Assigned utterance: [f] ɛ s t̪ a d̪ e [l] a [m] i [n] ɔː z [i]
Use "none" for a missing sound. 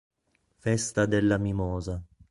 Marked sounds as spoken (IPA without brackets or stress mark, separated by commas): f, lː, m, m, a